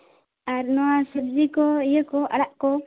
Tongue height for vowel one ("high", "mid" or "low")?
low